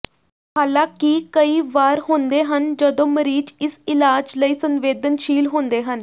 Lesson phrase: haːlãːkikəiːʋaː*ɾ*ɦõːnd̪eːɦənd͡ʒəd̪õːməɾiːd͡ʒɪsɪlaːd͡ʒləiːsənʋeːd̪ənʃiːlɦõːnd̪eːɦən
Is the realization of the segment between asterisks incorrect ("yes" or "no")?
no